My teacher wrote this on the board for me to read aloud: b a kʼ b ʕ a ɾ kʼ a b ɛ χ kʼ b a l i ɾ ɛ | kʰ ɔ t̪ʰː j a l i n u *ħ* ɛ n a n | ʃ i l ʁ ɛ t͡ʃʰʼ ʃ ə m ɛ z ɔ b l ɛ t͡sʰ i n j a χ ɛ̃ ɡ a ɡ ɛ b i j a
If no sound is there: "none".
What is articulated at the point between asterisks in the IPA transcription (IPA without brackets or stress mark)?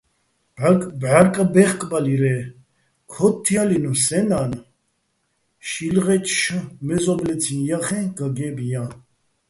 s